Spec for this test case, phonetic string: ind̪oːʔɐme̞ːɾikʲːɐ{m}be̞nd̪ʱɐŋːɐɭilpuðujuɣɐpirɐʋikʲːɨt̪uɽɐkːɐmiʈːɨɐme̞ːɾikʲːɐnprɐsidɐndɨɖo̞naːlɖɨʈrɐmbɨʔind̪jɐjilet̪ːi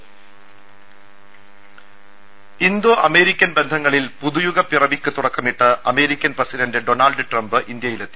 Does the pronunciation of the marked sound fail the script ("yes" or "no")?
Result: yes